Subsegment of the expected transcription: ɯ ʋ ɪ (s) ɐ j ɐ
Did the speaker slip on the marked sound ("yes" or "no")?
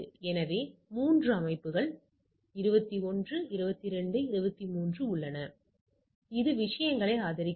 yes